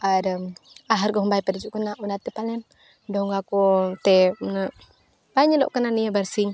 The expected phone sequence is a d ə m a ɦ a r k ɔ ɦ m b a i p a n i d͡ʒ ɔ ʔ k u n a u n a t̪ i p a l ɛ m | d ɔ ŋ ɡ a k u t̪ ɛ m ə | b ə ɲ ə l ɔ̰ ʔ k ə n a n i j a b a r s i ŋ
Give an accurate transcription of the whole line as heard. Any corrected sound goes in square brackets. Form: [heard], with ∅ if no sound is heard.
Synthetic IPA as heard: a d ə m a ɦ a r [ɡ] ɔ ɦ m b a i p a [d] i d͡ʒ [u] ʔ k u n a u n a t̪ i p a l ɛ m | d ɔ ŋ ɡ a k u t̪ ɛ [n] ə | b [a] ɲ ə l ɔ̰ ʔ k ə n a n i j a b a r s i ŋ